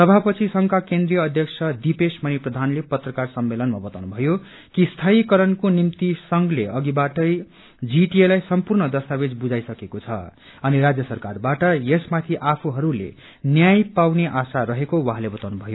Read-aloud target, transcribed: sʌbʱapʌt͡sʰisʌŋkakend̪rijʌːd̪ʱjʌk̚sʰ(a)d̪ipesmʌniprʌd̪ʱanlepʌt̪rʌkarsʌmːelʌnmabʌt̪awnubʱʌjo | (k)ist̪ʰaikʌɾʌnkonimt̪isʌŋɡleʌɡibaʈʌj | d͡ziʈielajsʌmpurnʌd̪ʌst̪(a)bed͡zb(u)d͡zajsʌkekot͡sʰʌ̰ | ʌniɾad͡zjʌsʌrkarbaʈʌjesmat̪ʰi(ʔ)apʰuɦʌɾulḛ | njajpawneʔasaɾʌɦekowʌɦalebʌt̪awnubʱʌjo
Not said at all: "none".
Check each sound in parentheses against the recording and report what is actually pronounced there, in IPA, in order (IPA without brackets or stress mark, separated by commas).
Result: ʌ, k, a, u, ʔ